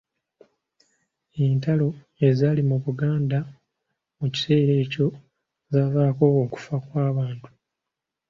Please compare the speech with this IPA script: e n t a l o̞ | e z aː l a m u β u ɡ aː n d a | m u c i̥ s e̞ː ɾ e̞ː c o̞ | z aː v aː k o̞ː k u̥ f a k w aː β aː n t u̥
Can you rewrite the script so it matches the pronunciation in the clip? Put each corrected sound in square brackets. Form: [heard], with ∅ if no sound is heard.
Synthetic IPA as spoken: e n t a l o̞ | e z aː l [i] m u β u ɡ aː n d a | m u c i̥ s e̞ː ɾ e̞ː c o̞ | z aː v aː k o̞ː k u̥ f a k w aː β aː n t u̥